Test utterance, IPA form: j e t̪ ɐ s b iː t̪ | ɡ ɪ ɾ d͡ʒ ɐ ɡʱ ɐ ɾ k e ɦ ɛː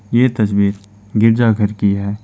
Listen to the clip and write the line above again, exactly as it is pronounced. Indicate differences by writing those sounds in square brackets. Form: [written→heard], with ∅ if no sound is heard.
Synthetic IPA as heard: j e t̪ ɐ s b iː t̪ | ɡ ɪ ɾ d͡ʒ [ɐ→a] ɡʱ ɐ ɾ k [e→i] ɦ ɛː